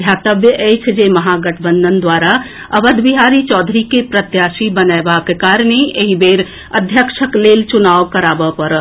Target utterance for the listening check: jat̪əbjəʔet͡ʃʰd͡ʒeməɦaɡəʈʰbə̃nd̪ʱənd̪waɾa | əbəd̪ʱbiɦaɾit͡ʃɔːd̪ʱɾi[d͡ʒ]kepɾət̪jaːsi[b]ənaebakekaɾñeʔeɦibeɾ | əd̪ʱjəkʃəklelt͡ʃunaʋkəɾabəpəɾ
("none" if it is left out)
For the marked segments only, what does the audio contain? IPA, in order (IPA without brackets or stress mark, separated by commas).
none, b